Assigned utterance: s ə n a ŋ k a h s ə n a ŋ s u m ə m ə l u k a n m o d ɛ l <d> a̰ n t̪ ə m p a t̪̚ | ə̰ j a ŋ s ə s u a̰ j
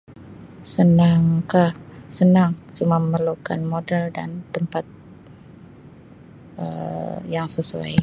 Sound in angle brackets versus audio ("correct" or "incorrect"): correct